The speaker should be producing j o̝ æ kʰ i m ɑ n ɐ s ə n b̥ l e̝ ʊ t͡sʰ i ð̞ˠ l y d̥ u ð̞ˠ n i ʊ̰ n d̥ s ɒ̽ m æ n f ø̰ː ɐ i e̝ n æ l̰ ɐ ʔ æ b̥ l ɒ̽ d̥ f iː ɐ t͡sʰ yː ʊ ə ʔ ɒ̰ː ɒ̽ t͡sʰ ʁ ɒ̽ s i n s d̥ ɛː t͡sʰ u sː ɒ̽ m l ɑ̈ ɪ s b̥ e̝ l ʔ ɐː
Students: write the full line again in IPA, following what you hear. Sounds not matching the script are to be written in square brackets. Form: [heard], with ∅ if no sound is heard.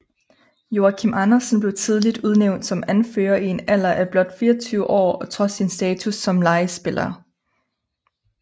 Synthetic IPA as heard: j o̝ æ kʰ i m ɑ n ɐ s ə n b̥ l e̝ ʊ t͡sʰ i ð̞ˠ l [i] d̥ u ð̞ˠ n [e] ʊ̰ n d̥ s ɒ̽ m æ n f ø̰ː ɐ i e̝ n æ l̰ ɐ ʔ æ b̥ l ɒ̽ d̥ f iː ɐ t͡sʰ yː ʊ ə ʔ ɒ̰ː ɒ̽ t͡sʰ ʁ ɒ̽ s i n s d̥ ɛː t͡sʰ u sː ɒ̽ m l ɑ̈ ɪ s b̥ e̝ l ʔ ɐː